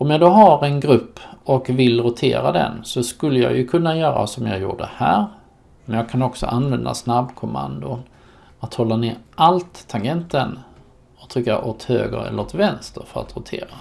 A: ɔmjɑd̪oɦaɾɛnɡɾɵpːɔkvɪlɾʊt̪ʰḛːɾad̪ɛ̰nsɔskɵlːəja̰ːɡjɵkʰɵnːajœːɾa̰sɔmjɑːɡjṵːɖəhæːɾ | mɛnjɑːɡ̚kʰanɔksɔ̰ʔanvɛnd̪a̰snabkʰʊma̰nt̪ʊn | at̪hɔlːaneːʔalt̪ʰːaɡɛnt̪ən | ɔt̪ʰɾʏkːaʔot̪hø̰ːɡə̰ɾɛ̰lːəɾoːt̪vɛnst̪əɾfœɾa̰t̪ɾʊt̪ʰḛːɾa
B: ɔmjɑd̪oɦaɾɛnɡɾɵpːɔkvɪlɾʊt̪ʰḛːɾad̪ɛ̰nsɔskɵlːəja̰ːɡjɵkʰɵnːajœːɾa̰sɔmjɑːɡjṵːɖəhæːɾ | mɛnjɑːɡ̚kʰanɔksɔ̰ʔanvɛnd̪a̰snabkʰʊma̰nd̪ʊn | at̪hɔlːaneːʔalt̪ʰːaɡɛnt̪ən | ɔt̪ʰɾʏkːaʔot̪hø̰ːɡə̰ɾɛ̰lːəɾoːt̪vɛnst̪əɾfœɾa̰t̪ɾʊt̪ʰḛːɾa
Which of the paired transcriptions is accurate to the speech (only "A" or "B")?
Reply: B